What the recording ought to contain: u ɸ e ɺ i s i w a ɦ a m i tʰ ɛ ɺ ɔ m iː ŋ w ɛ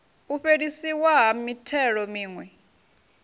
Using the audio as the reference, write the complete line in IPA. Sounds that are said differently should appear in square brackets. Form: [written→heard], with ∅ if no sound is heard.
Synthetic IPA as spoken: u ɸ e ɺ i s i w a ɦ a m i tʰ ɛ ɺ ɔ m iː ŋ w ɛ